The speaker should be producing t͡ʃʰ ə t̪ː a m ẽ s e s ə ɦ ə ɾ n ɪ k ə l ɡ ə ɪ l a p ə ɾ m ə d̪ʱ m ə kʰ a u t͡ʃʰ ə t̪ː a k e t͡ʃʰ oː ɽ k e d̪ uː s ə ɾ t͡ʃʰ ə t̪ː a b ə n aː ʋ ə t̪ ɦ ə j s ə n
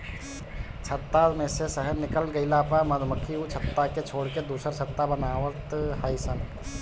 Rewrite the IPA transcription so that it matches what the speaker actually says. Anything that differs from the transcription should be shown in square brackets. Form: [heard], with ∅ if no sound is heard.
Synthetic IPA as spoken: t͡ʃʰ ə t̪ː a m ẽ s e s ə ɦ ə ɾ n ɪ k ə l ɡ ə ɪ l a p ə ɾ m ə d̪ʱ m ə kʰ [i] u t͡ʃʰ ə t̪ː a k e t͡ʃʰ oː ɽ k e d̪ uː s ə ɾ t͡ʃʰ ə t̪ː a b ə n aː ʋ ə t̪ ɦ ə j s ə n